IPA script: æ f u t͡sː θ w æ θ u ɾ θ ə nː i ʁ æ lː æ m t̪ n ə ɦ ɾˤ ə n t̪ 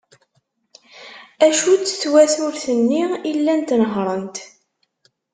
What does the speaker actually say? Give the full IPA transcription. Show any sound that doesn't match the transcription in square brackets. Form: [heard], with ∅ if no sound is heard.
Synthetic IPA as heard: æ [ʃ] u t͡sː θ w æ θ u ɾ θ ə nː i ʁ [i] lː æ [n] t̪ n ə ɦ ɾˤ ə n t̪